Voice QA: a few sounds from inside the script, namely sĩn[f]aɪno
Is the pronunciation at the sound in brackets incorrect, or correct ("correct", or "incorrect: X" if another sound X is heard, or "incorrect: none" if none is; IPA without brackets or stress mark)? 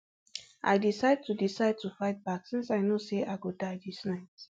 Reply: incorrect: s